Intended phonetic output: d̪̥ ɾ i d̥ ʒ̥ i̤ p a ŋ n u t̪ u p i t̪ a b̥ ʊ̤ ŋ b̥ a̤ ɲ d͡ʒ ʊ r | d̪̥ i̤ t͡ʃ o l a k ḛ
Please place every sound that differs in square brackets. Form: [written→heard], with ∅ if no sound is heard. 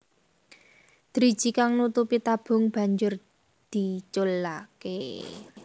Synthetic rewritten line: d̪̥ ɾ i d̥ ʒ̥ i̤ [p→k] a ŋ n u t̪ u p i t̪ a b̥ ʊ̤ ŋ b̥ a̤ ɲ d͡ʒ ʊ r | d̪̥ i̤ t͡ʃ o l a k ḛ